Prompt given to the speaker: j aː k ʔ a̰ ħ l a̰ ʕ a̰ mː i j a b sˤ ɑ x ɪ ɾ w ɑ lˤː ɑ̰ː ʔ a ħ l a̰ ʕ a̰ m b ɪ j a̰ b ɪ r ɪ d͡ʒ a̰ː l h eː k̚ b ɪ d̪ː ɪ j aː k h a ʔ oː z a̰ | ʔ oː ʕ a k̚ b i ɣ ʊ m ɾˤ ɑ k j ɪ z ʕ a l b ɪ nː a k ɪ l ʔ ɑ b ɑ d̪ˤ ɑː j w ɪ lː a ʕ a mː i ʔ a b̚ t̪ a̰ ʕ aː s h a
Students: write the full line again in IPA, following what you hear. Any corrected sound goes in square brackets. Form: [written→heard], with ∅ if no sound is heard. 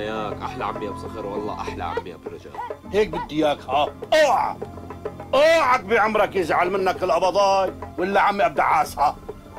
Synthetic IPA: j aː k ʔ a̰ ħ l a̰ ʕ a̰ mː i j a b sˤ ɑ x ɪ ɾ w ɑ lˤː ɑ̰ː ʔ a ħ l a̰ ʕ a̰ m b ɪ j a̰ b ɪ r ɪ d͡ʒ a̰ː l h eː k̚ b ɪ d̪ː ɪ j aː k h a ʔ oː [z→ʕ] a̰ | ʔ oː ʕ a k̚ b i [ɣ→ʕ] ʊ m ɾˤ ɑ k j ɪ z ʕ a l [b→m] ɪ nː a k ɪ l ʔ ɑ b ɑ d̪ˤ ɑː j w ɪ lː a ʕ a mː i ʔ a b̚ [t̪→d̪] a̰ ʕ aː s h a